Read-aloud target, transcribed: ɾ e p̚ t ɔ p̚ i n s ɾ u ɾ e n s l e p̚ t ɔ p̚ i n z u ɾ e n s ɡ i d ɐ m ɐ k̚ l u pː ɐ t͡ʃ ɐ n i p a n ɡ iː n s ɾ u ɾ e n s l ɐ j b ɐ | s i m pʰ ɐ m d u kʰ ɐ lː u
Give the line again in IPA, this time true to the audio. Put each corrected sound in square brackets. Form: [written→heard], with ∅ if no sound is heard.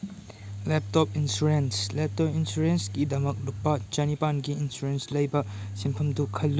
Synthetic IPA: [ɾ→l] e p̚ t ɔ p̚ i n s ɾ u ɾ e n s l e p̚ t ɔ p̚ i n [z→s] u ɾ e n s ɡ i d ɐ m ɐ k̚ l u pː ɐ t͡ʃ ɐ n i p a n ɡ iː n s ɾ u ɾ e n s l ɐ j b ɐ | s i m pʰ ɐ m d u kʰ ɐ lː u